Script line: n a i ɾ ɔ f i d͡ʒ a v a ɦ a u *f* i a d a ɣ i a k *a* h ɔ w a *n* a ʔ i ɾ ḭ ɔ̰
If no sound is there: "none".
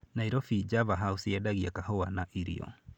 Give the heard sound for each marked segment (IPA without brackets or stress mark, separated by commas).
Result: s, a, n